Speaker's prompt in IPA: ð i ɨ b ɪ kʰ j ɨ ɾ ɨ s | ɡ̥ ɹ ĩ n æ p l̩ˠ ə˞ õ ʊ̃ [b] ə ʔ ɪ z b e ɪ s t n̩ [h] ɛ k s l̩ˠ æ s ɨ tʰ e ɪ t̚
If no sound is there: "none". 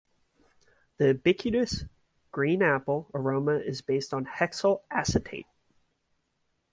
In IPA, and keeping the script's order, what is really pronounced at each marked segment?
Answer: m, h

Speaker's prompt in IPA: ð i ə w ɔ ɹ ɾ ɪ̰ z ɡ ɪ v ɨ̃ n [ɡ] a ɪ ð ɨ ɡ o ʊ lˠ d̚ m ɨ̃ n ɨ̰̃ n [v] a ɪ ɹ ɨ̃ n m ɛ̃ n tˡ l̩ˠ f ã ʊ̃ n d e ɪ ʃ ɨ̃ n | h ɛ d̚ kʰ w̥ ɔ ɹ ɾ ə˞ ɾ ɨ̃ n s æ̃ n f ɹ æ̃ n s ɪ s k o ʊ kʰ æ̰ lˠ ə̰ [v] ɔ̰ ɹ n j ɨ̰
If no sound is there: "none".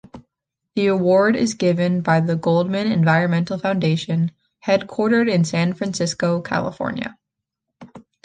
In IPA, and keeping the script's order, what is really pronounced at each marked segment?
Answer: b, v, f

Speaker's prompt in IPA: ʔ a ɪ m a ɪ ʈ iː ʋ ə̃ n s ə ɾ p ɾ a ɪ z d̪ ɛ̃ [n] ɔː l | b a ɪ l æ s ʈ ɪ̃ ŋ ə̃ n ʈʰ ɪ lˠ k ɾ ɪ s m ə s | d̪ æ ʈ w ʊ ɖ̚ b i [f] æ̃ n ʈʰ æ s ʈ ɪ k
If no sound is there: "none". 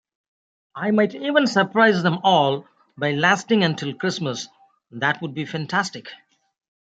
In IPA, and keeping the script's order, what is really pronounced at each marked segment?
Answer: m, f

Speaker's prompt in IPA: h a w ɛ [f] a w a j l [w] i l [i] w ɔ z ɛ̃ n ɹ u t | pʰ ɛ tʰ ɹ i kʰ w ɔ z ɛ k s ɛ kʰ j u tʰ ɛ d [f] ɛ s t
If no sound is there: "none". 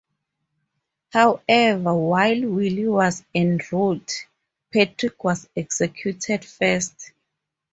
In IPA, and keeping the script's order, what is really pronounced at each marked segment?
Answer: v, w, i, f

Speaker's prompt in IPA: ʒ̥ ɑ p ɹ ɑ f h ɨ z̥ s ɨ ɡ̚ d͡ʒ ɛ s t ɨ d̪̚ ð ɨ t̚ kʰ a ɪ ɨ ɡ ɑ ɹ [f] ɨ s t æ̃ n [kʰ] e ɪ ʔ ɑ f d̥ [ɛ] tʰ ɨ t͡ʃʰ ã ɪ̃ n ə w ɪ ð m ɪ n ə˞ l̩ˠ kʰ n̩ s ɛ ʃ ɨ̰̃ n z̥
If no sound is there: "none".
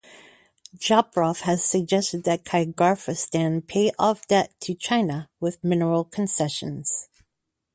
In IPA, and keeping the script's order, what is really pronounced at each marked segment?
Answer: f, pʰ, ɛ

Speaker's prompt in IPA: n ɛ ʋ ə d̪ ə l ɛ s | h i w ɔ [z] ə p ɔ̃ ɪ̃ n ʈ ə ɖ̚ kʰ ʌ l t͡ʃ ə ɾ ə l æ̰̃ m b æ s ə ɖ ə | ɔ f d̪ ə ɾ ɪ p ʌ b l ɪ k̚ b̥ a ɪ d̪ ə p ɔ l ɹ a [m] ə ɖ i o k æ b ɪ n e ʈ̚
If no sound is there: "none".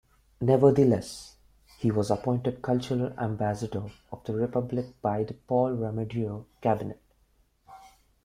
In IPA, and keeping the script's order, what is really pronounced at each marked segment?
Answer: z, m

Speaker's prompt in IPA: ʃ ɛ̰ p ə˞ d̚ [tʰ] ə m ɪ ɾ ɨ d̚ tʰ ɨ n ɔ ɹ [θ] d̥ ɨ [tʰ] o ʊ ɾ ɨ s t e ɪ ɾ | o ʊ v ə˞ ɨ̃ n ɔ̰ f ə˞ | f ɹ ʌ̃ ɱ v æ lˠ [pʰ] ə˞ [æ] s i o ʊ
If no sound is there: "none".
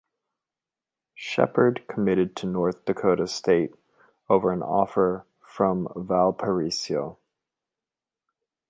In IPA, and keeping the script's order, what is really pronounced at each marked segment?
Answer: kʰ, θ, kʰ, pʰ, i

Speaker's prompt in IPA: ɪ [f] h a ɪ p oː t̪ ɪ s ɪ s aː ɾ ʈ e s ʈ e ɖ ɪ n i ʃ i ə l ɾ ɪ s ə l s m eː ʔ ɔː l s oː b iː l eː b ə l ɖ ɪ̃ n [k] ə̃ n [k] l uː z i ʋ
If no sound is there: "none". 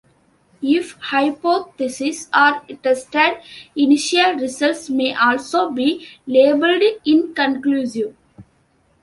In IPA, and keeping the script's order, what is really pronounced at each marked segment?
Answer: f, k, k

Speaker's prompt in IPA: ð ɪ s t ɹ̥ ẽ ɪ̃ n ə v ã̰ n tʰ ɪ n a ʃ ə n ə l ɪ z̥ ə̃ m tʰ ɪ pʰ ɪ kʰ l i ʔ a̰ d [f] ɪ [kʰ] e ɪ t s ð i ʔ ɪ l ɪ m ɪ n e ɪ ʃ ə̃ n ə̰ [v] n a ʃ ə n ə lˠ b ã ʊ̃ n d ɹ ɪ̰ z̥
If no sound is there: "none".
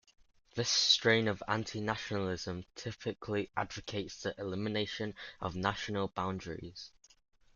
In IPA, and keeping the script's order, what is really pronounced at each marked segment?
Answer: v, kʰ, v

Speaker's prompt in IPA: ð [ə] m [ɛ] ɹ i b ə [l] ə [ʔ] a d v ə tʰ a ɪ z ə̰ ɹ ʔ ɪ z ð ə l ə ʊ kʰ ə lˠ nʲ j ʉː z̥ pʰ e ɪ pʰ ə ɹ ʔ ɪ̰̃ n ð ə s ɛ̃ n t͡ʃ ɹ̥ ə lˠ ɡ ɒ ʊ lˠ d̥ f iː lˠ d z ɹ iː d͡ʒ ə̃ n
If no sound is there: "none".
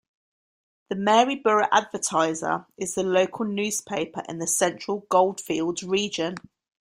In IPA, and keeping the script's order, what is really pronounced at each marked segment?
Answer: ə, ɛː, ɹ, ʔ

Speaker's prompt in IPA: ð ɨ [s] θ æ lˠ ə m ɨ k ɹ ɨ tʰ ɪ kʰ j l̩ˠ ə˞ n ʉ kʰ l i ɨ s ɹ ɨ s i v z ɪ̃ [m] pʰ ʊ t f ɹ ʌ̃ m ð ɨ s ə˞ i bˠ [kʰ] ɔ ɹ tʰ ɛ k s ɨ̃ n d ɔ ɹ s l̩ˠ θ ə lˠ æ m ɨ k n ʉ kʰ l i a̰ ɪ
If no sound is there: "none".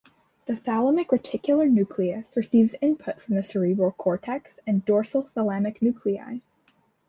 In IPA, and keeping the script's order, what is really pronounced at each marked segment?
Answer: none, n, kʰ

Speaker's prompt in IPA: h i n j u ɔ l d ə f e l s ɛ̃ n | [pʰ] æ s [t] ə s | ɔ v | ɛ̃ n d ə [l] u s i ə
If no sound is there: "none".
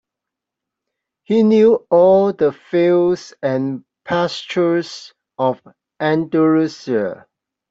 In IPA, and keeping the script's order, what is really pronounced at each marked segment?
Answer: pʰ, t͡ʃ, ɹ

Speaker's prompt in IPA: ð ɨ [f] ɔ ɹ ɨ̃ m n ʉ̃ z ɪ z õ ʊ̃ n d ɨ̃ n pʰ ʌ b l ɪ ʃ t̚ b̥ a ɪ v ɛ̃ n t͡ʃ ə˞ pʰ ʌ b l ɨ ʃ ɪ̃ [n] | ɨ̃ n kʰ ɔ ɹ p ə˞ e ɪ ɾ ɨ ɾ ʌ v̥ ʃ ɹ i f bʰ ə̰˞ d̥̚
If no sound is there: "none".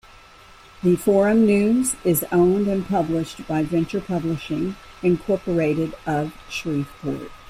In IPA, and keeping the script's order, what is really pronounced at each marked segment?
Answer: f, ŋ

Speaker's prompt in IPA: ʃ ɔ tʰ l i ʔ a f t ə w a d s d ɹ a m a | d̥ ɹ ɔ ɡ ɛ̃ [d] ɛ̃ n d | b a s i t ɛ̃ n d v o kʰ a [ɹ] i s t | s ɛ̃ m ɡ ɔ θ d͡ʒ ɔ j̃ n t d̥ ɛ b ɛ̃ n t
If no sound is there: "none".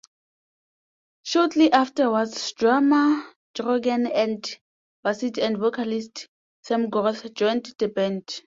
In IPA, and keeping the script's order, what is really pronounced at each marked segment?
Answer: n, l

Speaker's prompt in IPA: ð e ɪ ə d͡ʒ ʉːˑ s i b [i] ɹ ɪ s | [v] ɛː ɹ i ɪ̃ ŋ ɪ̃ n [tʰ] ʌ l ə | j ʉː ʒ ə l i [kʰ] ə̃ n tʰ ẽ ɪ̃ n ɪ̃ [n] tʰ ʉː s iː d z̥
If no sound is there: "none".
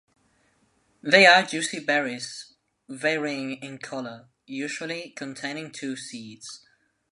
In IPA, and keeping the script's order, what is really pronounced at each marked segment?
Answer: ɛ, v, kʰ, kʰ, ŋ

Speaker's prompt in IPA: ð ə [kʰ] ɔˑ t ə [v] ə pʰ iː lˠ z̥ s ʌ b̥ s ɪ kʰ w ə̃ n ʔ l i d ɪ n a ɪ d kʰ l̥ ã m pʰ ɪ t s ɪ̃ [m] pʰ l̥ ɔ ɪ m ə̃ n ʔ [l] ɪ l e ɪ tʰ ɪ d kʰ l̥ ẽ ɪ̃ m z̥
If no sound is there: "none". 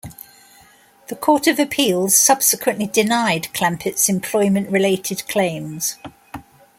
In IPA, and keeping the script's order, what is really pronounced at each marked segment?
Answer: kʰ, v, m, ɹ

